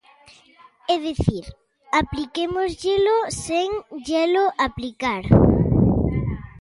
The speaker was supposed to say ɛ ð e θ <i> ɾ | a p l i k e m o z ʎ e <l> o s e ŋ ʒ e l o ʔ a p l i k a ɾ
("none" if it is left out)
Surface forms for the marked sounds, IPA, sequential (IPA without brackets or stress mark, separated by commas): i, l